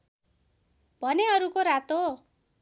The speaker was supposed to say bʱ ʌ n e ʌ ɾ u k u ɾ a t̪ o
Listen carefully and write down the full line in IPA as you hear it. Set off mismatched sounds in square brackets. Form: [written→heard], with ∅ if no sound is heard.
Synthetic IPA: bʱ ʌ n e ʌ ɾ u k [u→o] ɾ a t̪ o